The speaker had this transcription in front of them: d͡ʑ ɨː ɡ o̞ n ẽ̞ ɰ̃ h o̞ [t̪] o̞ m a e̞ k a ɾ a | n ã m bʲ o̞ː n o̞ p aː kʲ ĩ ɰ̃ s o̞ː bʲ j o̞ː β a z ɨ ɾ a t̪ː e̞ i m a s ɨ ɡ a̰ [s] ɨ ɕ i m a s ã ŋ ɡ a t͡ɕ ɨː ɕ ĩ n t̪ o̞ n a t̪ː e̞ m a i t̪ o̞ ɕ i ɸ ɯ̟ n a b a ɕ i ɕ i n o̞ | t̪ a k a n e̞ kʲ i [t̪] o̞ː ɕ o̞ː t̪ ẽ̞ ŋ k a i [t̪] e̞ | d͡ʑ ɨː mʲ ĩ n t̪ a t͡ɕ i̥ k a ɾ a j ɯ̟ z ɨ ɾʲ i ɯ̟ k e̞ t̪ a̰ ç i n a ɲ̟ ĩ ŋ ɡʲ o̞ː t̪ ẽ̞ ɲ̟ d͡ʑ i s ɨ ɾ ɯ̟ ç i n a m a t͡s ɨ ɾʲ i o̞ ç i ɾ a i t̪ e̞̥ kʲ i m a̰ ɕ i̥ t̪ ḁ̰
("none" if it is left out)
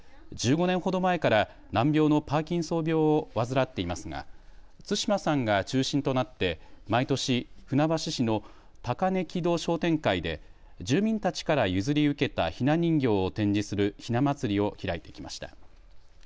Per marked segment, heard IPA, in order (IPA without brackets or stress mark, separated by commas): d̪, t͡s, d̪, d̪